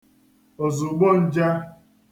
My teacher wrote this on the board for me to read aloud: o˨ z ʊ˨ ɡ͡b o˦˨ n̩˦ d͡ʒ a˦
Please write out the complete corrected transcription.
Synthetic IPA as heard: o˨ z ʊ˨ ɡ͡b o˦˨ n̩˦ d͡ʒ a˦